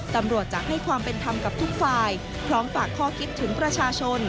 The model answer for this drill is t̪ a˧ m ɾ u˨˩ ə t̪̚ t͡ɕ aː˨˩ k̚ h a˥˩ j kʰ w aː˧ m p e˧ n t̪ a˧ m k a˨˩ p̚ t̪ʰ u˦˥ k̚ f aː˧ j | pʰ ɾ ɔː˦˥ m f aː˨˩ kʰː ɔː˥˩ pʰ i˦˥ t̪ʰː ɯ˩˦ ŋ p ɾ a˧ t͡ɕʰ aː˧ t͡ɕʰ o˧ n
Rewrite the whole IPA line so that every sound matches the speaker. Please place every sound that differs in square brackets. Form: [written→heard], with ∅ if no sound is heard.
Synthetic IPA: t̪ a˧ m ɾ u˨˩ ə t̪̚ t͡ɕ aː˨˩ k̚ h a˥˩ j kʰ w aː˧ m p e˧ n [t̪→t̪ʰ] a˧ m k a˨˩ p̚ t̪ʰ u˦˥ k̚ f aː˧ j | pʰ ɾ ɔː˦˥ m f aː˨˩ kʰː ɔː˥˩ [pʰ→kʰ] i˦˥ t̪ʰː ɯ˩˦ ŋ p ɾ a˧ t͡ɕʰ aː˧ t͡ɕʰ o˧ n